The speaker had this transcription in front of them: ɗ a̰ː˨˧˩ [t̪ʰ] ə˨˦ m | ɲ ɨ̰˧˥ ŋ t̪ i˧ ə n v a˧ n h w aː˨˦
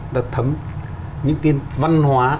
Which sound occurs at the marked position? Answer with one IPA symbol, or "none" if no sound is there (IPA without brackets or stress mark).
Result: t̪ʰ